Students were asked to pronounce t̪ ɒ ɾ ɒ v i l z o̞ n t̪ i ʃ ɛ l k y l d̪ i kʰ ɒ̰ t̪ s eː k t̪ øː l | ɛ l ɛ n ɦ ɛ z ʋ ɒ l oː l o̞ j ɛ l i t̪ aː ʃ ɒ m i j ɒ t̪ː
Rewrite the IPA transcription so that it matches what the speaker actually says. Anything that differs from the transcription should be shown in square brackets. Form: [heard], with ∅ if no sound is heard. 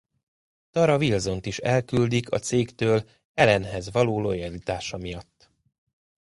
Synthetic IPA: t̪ ɒ ɾ ɒ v i l z o̞ n t̪ i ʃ ɛ l k y l d̪ i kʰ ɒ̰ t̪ s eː k t̪ øː l | ɛ l ɛ n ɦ ɛ z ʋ ɒ l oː l o̞ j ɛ l i t̪ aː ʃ ɒ m i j ɒ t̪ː